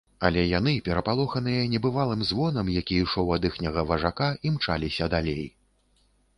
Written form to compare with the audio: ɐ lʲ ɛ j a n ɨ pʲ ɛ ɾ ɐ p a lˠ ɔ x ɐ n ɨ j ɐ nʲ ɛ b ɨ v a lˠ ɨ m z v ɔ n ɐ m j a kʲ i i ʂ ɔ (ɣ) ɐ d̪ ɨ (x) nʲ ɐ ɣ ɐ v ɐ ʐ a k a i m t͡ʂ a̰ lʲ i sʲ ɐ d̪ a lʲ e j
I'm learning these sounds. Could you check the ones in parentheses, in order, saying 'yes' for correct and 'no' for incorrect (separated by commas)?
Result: no, yes